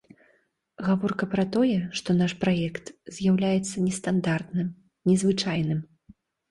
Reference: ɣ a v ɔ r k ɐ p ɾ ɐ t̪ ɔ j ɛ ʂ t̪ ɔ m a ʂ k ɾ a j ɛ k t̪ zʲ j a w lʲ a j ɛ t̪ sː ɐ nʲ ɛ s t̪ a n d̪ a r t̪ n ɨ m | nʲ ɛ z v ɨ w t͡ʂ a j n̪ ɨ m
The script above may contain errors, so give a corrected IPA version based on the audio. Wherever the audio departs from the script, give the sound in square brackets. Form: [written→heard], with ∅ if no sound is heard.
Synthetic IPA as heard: ɣ a v ɔ r k ɐ p ɾ ɐ t̪ ɔ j ɛ ʂ t̪ ɔ [m→n] a ʂ [k→p] ɾ a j ɛ k t̪ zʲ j a w lʲ a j ɛ t̪ sː ɐ nʲ ɛ s t̪ a n d̪ a r t̪ n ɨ m | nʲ ɛ z v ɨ [w→∅] t͡ʂ a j n̪ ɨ m